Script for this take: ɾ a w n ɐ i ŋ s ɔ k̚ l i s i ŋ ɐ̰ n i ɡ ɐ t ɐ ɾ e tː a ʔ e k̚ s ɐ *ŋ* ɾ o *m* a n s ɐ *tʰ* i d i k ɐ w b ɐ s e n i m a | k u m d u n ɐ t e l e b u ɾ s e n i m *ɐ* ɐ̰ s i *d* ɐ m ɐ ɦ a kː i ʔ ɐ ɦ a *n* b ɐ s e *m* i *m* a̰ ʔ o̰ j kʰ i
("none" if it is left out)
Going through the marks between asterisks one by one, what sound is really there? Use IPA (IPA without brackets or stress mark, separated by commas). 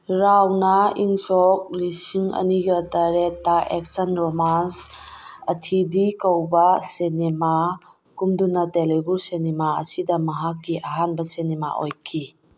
n, m, tʰ, a, d, n, n, m